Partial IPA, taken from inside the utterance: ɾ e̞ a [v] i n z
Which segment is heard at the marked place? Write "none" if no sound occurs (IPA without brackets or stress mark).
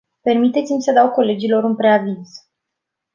v